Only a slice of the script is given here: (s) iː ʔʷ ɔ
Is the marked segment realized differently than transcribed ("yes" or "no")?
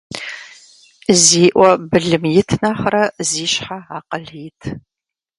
yes